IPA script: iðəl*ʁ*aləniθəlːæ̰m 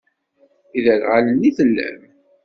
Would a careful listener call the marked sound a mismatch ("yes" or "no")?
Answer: no